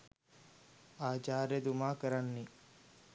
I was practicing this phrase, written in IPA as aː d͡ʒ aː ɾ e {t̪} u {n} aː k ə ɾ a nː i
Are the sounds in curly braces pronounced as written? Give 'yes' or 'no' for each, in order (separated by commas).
no, no